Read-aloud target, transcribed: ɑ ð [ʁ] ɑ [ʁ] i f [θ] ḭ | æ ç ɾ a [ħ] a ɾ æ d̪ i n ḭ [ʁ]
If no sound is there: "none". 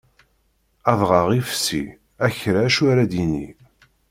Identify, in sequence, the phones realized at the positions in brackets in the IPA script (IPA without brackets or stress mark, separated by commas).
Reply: ʁ, ʁ, s, ʃ, none